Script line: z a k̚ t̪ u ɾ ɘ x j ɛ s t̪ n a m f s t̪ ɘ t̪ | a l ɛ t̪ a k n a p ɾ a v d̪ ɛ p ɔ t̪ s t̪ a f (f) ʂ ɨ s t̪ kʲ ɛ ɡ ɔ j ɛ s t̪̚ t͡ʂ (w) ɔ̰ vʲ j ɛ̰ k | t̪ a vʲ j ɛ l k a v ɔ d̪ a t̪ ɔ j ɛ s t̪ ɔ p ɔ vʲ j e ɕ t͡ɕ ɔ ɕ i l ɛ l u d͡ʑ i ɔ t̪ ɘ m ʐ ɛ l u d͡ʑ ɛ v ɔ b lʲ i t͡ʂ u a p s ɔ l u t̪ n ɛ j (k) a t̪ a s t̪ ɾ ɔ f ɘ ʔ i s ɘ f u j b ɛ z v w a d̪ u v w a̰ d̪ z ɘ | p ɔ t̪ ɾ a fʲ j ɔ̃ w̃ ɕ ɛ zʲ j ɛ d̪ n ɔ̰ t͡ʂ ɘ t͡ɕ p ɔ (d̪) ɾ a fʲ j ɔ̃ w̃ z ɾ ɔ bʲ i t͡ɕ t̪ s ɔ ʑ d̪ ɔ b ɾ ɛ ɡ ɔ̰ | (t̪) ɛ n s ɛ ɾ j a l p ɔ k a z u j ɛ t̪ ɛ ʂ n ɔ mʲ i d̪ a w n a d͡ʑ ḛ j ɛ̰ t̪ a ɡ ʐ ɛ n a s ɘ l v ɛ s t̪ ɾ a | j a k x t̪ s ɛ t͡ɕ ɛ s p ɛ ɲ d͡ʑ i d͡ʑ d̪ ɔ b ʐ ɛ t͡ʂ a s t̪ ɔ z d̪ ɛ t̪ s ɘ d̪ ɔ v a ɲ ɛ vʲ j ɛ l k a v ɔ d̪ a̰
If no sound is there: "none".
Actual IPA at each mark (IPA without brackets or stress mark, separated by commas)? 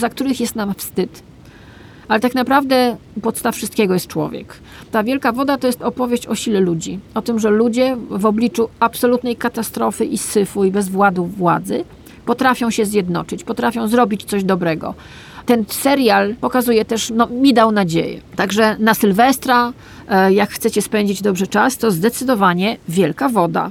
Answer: f, w, k, t̪, t̪